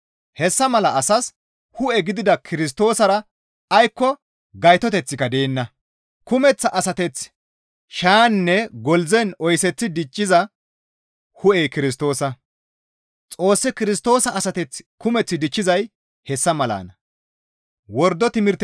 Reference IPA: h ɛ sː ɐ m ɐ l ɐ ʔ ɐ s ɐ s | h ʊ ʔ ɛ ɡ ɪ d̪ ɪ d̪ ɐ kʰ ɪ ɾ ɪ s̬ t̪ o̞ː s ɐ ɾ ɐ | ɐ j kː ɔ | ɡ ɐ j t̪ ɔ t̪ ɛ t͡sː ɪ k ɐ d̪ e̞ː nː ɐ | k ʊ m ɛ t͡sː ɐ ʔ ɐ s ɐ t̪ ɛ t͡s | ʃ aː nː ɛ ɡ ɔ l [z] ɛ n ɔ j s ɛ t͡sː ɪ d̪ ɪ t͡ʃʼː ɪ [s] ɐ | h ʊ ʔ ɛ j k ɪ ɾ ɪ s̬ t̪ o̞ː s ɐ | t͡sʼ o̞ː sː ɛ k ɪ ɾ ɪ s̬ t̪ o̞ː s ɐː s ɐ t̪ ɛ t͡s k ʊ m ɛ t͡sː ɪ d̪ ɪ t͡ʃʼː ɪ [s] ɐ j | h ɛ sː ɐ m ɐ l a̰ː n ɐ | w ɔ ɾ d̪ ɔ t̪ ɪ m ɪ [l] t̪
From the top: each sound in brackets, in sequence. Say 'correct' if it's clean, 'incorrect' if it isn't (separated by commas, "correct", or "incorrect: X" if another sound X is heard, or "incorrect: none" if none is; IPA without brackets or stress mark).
correct, incorrect: z, incorrect: z, incorrect: ɾ